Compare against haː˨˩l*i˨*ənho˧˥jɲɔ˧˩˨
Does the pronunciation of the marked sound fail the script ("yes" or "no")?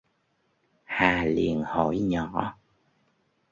no